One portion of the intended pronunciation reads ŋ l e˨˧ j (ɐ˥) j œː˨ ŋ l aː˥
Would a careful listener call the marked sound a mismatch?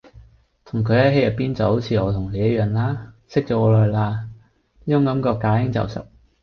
no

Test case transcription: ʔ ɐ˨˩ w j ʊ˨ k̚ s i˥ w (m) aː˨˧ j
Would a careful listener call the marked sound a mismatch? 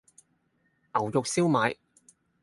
no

